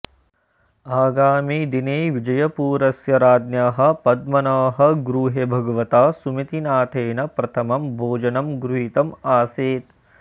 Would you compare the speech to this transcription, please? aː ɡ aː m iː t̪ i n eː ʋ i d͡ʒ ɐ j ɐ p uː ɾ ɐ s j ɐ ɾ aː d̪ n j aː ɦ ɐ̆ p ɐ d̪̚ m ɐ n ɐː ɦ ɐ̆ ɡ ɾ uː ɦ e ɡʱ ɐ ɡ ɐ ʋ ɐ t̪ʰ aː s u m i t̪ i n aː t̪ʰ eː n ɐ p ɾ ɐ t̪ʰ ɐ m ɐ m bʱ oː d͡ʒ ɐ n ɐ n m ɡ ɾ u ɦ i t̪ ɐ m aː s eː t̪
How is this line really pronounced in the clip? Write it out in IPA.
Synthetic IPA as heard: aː ɡ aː m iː d̪ i n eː ʋ i d͡ʒ ɐ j ɐ p uː ɾ ɐ s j ɐ ɾ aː d̪ n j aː ɦ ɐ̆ p ɐ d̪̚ m ɐ n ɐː ɦ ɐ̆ ɡ ɾ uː ɦ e bʱ ɐ ɡ ɐ ʋ ɐ t̪ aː s u m i t̪ i n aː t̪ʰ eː n ɐ p ɾ ɐ t̪ʰ ɐ m ɐ m bʱ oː d͡ʒ ɐ n ɐ m ɡ ɾ u ɦ i t̪ ɐ m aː s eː t̪